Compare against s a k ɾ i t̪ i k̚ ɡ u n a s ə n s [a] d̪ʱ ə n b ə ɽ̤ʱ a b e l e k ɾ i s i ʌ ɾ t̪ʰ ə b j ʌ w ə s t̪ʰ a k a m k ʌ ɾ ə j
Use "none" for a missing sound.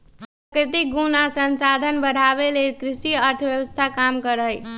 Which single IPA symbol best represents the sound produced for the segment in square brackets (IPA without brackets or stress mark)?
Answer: a